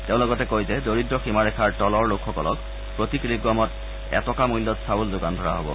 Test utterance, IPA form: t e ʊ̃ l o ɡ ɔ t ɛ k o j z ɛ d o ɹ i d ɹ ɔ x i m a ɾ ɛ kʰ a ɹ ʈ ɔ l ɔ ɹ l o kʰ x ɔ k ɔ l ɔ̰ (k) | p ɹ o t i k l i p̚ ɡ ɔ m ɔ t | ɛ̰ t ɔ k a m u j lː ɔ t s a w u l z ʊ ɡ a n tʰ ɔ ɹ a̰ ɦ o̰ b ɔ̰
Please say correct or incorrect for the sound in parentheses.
correct